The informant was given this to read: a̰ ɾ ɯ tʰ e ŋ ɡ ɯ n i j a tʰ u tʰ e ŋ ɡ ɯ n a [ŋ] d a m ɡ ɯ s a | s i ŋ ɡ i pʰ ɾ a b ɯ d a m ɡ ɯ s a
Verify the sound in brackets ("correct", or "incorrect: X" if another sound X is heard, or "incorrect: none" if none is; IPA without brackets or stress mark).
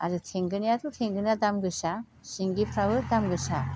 incorrect: none